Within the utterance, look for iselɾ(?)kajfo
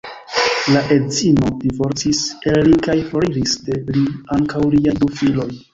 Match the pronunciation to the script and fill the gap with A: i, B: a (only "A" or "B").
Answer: A